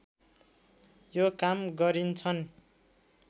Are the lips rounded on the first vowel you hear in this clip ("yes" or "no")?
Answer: yes